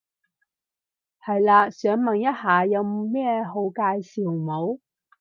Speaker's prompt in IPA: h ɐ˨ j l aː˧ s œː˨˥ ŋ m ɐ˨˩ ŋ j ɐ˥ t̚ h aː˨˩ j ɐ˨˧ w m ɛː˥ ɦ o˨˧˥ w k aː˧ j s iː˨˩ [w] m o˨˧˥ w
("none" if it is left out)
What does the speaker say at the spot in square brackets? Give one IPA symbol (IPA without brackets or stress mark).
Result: w